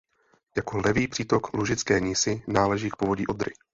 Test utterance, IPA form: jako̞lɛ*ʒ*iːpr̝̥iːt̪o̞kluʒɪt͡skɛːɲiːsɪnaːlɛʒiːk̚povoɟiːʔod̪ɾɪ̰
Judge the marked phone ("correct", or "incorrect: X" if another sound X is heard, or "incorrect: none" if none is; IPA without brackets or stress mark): incorrect: v